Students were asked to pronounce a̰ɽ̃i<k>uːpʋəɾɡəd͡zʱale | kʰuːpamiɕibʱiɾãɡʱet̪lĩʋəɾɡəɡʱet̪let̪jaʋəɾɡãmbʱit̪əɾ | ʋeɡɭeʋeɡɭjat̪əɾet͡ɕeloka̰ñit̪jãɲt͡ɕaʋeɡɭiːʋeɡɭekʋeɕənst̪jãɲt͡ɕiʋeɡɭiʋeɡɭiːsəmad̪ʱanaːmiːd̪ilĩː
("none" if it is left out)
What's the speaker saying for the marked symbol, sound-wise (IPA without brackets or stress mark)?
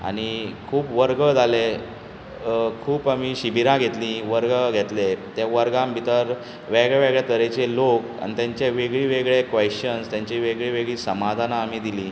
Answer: kʰ